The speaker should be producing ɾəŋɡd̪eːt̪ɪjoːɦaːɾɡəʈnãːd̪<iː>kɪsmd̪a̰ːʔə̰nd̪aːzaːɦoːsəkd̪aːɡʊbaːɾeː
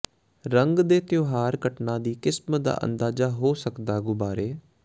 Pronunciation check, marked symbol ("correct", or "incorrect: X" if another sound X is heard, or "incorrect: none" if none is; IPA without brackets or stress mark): correct